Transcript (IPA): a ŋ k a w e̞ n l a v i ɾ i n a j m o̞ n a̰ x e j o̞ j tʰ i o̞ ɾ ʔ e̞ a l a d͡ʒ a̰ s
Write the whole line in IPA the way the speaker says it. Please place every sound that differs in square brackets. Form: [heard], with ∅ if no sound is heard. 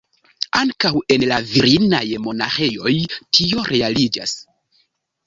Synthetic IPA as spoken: a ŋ k a w e̞ n l a v i ɾ i n a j m o̞ n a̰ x e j o̞ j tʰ i o̞ ɾ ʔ e̞ a l [i] d͡ʒ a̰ s